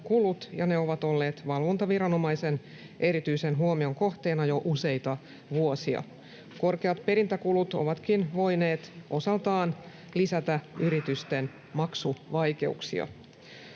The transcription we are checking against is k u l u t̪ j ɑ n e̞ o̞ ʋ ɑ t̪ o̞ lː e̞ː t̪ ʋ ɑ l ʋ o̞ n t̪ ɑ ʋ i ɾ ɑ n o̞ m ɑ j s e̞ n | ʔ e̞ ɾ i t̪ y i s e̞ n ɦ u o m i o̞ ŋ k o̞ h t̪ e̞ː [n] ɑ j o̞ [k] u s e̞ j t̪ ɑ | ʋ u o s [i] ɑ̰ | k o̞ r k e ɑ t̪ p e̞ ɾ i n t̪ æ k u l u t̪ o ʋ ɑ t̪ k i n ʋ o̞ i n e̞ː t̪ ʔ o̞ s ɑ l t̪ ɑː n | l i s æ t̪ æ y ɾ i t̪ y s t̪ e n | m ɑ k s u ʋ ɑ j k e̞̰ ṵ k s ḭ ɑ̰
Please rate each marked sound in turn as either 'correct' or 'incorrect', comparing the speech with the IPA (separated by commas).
correct, incorrect, correct